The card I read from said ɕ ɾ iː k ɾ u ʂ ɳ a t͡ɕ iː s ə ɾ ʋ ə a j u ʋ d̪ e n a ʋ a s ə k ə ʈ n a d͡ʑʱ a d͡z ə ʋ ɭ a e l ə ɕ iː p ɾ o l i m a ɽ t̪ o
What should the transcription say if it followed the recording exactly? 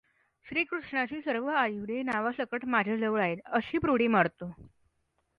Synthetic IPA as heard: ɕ ɾ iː k ɾ u ʂ ɳ a t͡ɕ iː s ə ɾ ʋ ə a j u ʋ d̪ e n a ʋ a s ə k ə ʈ m a d͡ʑʱ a d͡z ə ʋ ɭ a e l ə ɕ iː p ɾ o ɽ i m a ɽ t̪ o

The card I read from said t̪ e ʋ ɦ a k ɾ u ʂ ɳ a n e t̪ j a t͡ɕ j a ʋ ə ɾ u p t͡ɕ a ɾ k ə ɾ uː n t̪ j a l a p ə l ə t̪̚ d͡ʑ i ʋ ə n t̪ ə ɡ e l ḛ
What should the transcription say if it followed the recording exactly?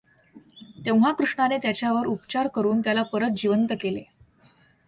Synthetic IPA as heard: t̪ e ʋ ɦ a k ɾ u ʂ ɳ a n e t̪ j a t͡ɕ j a ʋ ə ɾ u p t͡ɕ a ɾ k ə ɾ uː n t̪ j a l a p ə ɾ ə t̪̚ d͡ʑ i ʋ ə n t̪ ə k e l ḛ

